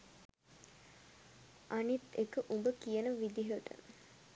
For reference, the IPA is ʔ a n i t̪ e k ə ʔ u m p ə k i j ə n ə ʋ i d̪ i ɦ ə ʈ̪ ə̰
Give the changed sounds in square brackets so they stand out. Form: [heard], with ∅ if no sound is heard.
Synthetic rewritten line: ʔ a n i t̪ e k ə ʔ u m [b] ə k i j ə n ə ʋ i d̪ i ɦ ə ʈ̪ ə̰